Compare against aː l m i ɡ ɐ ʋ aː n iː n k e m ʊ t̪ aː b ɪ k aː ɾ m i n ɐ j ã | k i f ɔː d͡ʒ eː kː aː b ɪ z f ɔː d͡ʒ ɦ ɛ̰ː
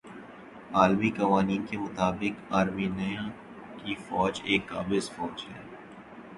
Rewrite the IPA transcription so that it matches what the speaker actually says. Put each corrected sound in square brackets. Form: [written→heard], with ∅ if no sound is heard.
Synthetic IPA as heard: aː l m i [ɡ→k] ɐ ʋ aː n iː n k e m ʊ t̪ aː b ɪ k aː ɾ m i n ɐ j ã | k i f ɔː d͡ʒ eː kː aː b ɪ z f ɔː d͡ʒ ɦ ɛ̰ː